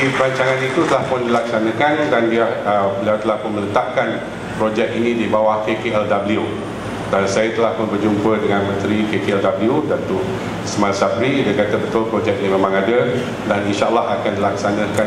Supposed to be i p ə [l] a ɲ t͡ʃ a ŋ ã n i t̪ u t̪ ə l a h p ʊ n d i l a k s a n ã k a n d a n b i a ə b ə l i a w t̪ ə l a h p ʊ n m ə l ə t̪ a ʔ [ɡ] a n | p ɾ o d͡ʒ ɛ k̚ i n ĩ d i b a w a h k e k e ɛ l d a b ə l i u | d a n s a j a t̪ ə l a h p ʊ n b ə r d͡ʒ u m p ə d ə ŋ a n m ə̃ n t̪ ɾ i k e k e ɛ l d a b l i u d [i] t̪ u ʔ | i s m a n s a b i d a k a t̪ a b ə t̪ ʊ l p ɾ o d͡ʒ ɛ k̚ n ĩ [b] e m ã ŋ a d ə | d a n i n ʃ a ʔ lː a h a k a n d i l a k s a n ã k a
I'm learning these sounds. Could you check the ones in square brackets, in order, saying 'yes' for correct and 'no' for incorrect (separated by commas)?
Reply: no, no, no, no